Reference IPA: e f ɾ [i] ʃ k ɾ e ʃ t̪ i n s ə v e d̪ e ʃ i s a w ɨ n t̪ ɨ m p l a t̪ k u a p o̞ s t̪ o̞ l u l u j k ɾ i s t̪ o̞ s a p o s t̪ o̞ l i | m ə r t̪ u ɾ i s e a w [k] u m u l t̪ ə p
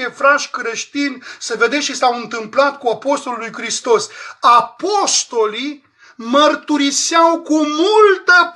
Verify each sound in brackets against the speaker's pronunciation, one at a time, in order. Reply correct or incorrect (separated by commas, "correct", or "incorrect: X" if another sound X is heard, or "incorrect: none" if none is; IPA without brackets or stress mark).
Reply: incorrect: a, correct